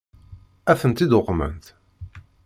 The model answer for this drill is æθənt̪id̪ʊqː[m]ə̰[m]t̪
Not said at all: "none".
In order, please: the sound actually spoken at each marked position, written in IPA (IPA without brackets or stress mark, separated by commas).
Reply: m, n